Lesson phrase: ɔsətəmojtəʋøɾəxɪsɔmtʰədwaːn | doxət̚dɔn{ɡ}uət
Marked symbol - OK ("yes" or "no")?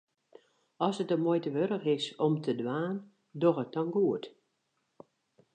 yes